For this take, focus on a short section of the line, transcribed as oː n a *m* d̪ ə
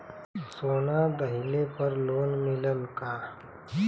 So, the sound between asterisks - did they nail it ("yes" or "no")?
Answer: no